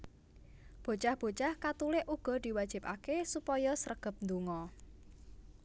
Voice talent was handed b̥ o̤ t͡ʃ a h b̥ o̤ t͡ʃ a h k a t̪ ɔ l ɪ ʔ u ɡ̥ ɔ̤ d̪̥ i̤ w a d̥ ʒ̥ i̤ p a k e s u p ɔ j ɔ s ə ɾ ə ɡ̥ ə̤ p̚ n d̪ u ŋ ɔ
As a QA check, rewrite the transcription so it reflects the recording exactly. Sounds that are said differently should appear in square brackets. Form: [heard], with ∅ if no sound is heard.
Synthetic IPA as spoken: b̥ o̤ t͡ʃ a h b̥ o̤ t͡ʃ a h k a t̪ [u] l ɪ ʔ u ɡ̥ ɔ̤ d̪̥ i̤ w a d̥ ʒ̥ i̤ p a k e s u p ɔ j ɔ s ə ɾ ə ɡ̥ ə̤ p̚ n d̪ u ŋ ɔ